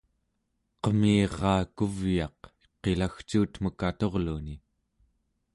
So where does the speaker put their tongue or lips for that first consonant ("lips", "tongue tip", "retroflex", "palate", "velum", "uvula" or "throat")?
uvula